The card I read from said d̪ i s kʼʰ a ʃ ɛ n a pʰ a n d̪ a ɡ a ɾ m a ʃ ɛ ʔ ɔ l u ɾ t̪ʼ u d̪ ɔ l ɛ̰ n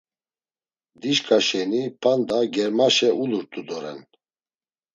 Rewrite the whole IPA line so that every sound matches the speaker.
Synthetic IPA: d̪ i ʃ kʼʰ a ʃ ɛ n i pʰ a n d̪ a ɡ ɛ ɾ m a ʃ ɛ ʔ u l u ɾ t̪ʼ u d̪ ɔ ɾ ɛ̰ n